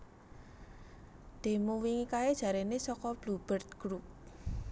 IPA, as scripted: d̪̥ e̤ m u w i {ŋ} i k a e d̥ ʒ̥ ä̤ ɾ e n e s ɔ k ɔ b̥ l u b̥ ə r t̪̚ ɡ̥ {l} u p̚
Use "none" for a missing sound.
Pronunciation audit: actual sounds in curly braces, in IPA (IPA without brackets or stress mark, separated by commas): ŋ, ɾ